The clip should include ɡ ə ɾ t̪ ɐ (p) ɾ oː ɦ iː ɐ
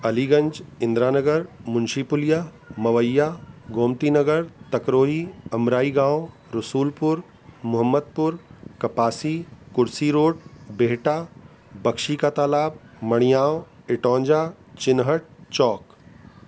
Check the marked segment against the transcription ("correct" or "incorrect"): incorrect